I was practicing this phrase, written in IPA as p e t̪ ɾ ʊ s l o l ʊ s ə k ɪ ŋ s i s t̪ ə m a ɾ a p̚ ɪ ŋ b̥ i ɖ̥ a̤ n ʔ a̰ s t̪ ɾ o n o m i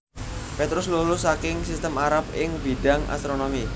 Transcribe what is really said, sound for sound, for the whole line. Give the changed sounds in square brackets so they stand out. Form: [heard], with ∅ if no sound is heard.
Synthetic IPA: p e t̪ ɾ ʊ s l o l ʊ s [a] k ɪ ŋ s i s t̪ ə m a ɾ a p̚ ɪ ŋ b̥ i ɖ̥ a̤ [ŋ] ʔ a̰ s t̪ ɾ o n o m i

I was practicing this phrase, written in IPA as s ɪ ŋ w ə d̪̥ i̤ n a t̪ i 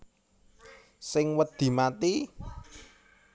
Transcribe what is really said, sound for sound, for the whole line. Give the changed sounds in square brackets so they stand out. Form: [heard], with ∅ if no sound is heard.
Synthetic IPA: s ɪ ŋ w ə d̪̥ i̤ [m] a t̪ i

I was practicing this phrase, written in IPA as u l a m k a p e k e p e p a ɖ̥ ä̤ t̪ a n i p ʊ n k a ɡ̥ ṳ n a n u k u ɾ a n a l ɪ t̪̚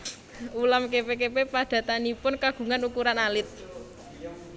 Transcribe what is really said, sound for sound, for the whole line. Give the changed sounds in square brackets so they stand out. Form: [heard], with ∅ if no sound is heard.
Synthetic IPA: u l a m k [e] p e k e p e p a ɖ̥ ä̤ t̪ a n i p ʊ n k a ɡ̥ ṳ [ŋ] a n u k u ɾ a n a l ɪ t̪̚

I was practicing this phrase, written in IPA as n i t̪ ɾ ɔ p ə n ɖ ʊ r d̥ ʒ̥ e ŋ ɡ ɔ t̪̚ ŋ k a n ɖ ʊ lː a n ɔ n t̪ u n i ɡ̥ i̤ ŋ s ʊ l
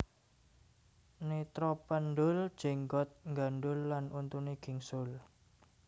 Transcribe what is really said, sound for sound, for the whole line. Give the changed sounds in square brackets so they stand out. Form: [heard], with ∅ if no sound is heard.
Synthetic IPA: n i t̪ ɾ ɔ p ə n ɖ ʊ [l] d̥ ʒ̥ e ŋ ɡ ɔ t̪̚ ŋ [ɡ] a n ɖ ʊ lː a n [u] n t̪ u n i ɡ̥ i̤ ŋ s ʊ l

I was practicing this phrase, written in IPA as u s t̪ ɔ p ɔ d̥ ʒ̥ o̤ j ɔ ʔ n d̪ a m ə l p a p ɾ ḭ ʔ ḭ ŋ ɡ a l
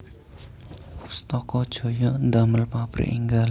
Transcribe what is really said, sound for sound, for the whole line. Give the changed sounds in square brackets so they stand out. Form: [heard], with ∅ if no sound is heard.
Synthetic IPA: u s t̪ ɔ [k] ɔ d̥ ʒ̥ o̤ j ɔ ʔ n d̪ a m ə l p a p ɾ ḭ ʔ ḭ ŋ ɡ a l

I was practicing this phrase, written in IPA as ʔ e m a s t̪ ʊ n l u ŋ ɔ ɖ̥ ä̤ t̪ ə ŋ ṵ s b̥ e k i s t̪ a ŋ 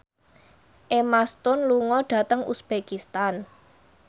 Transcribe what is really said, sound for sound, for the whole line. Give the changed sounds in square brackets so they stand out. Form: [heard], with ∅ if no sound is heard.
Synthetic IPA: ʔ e m a s t̪ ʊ n l u ŋ ɔ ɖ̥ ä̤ t̪ ə ŋ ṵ s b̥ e k i s t̪ a [n]

